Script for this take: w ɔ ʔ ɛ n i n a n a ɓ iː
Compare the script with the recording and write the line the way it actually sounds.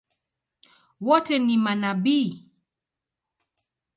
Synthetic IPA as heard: w ɔ t ɛ n i m a n a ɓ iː